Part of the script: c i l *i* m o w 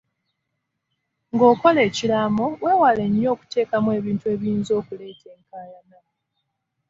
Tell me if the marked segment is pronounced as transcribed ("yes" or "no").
no